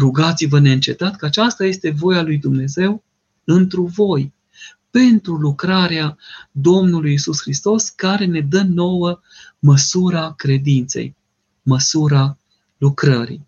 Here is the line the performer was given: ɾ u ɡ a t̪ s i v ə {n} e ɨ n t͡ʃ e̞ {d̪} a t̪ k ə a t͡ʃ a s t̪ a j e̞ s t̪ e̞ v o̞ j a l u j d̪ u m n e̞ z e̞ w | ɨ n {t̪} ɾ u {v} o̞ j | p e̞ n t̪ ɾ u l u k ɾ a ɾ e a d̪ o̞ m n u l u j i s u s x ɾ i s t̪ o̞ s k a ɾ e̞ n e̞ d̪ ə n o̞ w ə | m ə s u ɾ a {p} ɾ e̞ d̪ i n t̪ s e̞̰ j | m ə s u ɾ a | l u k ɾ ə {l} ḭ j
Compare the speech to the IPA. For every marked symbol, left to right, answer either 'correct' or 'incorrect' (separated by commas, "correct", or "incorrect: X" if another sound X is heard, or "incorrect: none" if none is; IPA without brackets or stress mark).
correct, incorrect: t̪, correct, correct, incorrect: k, incorrect: ɾ